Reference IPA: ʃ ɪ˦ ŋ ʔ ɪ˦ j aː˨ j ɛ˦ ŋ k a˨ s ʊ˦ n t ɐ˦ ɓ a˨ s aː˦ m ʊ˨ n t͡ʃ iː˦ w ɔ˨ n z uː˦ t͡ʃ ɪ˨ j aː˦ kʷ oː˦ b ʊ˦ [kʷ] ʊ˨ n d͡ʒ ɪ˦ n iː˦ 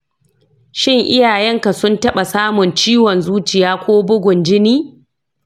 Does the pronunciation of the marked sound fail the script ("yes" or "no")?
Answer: yes